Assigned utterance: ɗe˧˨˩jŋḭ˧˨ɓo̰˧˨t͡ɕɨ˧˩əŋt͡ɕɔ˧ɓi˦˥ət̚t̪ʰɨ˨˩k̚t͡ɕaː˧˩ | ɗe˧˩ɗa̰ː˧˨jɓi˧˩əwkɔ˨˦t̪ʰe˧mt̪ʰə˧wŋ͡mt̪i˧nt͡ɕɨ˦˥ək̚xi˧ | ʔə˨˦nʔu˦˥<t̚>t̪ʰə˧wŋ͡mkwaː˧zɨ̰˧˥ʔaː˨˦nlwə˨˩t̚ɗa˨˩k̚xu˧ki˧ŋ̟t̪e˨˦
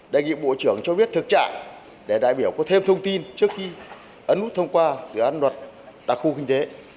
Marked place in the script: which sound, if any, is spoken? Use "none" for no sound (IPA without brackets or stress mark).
t̚